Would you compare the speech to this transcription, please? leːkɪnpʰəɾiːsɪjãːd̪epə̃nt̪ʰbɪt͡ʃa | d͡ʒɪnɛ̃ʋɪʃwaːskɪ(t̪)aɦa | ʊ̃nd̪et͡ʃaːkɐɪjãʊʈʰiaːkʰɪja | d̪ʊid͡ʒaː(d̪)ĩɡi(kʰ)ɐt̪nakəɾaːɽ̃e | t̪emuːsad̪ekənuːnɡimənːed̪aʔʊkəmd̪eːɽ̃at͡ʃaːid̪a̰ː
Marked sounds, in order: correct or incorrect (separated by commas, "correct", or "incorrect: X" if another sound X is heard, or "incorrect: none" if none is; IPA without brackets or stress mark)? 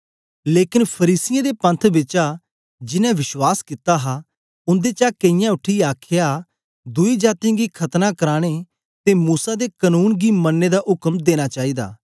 correct, incorrect: t̪, correct